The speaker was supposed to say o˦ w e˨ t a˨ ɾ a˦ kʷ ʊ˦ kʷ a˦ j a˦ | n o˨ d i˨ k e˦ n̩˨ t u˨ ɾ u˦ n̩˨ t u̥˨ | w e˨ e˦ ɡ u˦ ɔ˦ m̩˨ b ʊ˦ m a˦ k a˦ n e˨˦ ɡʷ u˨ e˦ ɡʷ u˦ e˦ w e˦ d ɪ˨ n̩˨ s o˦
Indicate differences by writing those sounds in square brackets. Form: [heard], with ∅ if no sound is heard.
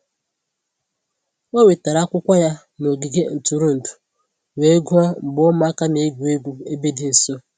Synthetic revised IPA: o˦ w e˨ t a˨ ɾ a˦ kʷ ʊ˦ kʷ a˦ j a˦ | n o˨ [ɡ] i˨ [ɡ] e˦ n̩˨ t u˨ ɾ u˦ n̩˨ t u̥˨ | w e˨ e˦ ɡ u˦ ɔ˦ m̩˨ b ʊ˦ m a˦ k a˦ n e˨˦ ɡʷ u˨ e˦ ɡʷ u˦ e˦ [b] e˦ d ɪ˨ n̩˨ s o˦